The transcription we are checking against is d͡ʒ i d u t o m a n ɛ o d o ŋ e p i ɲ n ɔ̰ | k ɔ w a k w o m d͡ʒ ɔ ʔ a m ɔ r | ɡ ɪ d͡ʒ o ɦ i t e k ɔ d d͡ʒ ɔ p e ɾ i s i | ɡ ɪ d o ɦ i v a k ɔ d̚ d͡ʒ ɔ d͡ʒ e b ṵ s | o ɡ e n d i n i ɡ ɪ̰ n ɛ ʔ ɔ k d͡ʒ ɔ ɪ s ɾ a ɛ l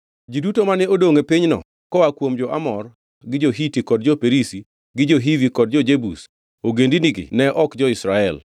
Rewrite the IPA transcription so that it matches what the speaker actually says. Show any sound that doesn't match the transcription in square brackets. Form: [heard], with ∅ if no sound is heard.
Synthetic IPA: d͡ʒ i d u t o m a n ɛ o d o ŋ e p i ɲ n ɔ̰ | k ɔ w a k w o m d͡ʒ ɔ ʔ a m ɔ r | ɡ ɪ d͡ʒ o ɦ i t [i] k ɔ d d͡ʒ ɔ p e ɾ i s i | ɡ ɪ [d͡ʒ] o ɦ i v [i] k ɔ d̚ d͡ʒ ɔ d͡ʒ e b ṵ s | o ɡ e n d i n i ɡ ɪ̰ n ɛ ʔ ɔ k d͡ʒ ɔ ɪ s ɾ a ɛ l